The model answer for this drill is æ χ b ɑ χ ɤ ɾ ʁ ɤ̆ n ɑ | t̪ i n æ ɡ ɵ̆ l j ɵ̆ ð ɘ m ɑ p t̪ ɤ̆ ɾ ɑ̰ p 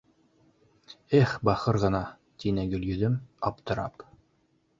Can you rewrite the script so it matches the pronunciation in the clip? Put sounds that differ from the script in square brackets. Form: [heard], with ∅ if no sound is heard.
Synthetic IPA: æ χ b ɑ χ ɤ ɾ ʁ ɤ̆ n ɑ | t̪ i n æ ɡ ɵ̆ l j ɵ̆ ð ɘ m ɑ p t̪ ɤ̆ ɾ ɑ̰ p